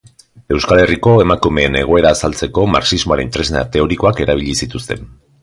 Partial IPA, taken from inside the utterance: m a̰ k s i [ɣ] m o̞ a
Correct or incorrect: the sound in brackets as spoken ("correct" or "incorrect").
incorrect